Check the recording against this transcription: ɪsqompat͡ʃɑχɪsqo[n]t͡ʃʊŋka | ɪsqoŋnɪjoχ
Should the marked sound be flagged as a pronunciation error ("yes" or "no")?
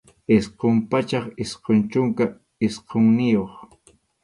no